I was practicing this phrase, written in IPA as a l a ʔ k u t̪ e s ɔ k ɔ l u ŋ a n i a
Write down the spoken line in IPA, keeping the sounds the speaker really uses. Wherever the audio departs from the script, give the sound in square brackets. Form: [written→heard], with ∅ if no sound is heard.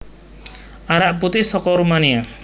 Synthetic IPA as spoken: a [l→ɾ] a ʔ [k→p] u t̪ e s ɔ k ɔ [l→ɾ] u [ŋ→m] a n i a